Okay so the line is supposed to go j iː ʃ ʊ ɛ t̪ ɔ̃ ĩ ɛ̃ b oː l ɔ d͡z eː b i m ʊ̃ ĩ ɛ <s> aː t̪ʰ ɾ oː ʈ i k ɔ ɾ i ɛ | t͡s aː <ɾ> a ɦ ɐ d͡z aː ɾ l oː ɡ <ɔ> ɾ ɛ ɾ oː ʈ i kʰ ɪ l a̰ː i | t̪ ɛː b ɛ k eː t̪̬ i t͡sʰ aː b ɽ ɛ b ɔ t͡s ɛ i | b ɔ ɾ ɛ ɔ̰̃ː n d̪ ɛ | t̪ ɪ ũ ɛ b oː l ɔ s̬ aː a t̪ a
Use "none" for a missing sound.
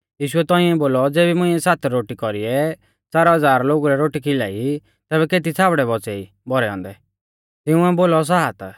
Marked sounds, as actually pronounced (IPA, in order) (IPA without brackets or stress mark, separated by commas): s, ɾ, u